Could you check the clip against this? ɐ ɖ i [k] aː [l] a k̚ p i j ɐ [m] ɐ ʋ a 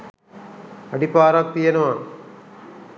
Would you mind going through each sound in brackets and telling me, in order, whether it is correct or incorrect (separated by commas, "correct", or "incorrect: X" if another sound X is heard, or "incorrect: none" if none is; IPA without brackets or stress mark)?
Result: incorrect: p, incorrect: ɾ, incorrect: n